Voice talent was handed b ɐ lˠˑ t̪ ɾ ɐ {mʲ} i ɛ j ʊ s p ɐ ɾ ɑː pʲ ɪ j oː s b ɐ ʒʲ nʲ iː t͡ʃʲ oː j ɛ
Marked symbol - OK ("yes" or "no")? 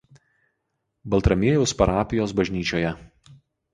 yes